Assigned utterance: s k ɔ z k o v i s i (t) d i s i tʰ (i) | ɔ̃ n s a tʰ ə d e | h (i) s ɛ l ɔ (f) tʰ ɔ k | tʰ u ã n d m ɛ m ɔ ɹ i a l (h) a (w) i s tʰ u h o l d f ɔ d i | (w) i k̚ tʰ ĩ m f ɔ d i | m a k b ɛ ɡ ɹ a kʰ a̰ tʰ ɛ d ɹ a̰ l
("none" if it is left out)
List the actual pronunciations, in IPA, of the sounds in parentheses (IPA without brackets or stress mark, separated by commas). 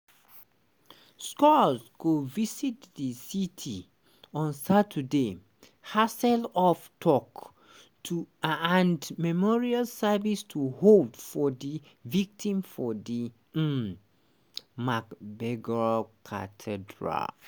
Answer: t, i, a, f, s, v, v